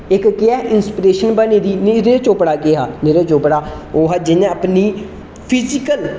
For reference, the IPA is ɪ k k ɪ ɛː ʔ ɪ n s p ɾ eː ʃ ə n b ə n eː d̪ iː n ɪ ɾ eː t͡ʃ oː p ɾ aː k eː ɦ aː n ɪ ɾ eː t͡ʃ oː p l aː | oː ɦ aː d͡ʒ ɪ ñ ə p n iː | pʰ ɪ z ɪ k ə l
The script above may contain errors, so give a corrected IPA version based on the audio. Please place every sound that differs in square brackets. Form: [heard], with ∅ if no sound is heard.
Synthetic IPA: ɪ k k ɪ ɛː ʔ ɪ n s p ɾ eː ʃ ə n b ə n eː d̪ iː n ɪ ɾ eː t͡ʃ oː p [ɽ] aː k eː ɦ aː n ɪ ɾ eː t͡ʃ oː p [ɽ] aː | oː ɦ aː d͡ʒ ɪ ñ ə p n iː | pʰ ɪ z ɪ k ə l